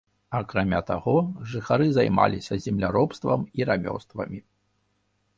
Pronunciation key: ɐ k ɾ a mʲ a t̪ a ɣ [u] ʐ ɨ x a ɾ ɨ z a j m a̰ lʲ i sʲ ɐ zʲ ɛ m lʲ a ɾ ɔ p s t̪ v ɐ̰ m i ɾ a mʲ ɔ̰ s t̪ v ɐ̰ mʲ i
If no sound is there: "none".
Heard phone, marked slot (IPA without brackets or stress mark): ɔ